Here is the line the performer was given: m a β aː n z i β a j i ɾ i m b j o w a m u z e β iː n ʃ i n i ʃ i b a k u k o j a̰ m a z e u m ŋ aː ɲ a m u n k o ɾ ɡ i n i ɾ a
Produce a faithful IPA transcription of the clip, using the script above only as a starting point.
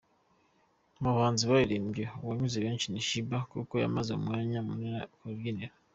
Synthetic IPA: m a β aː n z i β a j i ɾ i m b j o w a ɲ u z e β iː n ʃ i n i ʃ i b a k u k o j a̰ m a z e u m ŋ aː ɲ a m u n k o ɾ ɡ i n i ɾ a